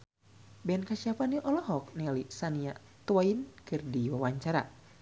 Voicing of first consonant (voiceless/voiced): voiced